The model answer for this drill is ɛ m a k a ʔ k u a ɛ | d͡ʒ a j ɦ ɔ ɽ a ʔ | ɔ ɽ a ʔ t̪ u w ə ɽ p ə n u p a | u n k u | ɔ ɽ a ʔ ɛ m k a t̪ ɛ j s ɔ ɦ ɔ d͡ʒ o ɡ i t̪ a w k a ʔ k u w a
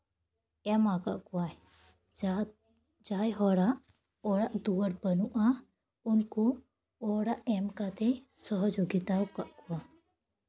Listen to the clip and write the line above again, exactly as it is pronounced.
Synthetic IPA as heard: ɛ m a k a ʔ k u a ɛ | d͡ʒ a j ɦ ɔ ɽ a ʔ | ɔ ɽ a ʔ d̪ u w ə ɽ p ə n u ʔ a | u n k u | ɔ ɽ a ʔ ɛ m k a t̪ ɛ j s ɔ ɦ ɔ d͡ʒ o ɡ i t̪ a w k a ʔ k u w a